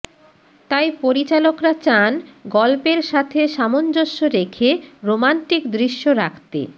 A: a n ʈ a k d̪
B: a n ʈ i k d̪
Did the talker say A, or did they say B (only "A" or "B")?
B